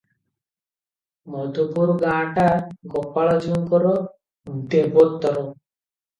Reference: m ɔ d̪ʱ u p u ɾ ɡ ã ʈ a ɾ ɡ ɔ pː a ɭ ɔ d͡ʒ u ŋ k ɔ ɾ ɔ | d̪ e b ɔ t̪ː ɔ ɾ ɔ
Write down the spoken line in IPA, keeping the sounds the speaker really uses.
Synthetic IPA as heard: m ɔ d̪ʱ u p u ɾ ɡ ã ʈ a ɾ ɡ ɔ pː a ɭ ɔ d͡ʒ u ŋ k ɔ ɾ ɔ | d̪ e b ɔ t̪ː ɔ ɾ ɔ